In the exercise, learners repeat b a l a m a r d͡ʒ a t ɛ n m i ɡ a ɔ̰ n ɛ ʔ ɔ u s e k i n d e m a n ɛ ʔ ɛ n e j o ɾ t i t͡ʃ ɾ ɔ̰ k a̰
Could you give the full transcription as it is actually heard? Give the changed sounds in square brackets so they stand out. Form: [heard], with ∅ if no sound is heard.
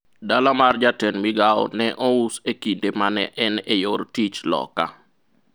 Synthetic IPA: [d] a l a m a r d͡ʒ a t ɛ n m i ɡ a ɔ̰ n ɛ ʔ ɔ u s e k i n d e m a n ɛ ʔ ɛ n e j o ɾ t i t͡ʃ [l] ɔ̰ k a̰